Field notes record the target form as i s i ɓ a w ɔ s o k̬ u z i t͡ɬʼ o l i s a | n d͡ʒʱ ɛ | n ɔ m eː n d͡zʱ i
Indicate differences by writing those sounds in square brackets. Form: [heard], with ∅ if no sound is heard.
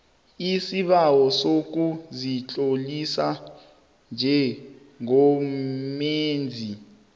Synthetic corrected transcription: i s i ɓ a w ɔ s o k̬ u z i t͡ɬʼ o l i s a | n d͡ʒʱ ɛ | [ŋ] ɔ m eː n d͡zʱ i